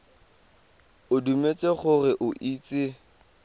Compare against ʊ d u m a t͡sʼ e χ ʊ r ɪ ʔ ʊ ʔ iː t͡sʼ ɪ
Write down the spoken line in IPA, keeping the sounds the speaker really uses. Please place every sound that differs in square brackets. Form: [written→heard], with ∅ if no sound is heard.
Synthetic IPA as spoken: ʊ d u m [a→e] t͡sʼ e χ ʊ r ɪ ʔ ʊ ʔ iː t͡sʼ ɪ